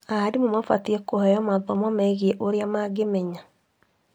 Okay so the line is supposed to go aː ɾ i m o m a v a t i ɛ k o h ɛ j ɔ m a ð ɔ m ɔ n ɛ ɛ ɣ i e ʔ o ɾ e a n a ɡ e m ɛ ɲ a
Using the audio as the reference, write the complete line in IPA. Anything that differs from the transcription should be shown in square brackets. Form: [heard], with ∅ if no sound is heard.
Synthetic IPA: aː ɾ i m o m a [f] a t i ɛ k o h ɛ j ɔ m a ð ɔ m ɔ [m] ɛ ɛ ɣ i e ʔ o ɾ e a [m] a ɡ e m ɛ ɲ a